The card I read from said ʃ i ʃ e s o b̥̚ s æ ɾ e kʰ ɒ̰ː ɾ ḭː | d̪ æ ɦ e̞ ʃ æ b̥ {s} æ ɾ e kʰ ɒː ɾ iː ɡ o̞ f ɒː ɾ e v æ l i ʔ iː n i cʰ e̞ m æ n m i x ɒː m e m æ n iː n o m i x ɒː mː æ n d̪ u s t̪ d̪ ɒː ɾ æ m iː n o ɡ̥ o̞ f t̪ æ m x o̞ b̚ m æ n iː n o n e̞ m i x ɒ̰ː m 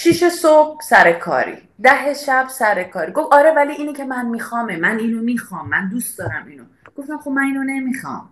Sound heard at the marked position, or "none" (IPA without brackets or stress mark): s